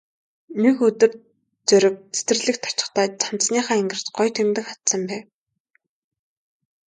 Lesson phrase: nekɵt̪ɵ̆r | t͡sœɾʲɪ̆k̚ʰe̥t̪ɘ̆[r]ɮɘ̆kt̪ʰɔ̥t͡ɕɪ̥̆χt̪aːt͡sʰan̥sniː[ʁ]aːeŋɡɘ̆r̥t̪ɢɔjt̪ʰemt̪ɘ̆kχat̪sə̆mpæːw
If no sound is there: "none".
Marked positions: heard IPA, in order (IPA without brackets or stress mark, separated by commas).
r, χ